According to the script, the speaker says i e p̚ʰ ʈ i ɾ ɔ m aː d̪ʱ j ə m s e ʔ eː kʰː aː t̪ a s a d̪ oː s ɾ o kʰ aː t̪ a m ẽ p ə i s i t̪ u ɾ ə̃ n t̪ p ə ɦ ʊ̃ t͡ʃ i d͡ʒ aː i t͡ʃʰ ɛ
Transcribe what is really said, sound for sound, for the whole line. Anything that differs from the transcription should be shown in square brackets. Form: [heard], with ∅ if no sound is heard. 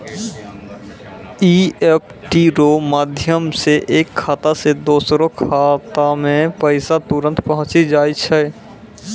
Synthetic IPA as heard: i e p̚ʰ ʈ i ɾ [o] m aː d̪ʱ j ə m s e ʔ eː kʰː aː t̪ a s [e] d̪ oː s ɾ o kʰ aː t̪ a m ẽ p ə [ɪ] s [a] t̪ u ɾ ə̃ n t̪ p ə ɦ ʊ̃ t͡ʃ i d͡ʒ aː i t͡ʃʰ ɛ